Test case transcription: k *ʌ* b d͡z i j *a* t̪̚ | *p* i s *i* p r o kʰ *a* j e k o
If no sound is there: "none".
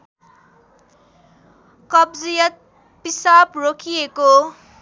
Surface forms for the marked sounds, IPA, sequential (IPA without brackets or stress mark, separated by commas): ʌ, ʌ, p, a, i